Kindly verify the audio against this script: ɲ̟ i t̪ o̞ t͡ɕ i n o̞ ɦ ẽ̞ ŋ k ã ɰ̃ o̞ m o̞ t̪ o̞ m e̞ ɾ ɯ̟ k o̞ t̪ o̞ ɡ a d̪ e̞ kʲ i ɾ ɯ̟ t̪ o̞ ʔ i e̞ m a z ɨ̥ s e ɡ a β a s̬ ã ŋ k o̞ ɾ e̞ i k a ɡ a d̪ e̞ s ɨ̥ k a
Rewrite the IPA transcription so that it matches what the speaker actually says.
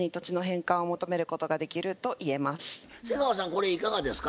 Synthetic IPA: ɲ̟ i t̪ o̞ t͡ɕ i n o̞ ɦ ẽ̞ ŋ k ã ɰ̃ o̞ m o̞ t̪ o̞ m e̞ ɾ ɯ̟ k o̞ t̪ o̞ ɡ a d̪ e̞ kʲ i ɾ ɯ̟ t̪ o̞ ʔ i e̞ m a s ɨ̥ s e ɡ a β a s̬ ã ŋ k o̞ ɾ e̞ i k a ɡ a d̪ e̞ s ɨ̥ k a